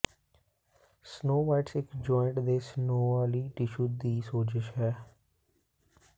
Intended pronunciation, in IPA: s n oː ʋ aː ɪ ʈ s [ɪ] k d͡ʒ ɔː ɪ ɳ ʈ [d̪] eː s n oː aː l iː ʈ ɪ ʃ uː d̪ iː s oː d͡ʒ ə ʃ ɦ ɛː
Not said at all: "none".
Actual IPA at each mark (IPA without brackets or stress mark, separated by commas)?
ɪ, d̪